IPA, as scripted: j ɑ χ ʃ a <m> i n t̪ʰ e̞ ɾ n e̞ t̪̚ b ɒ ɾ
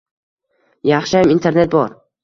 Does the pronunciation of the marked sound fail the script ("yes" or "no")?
no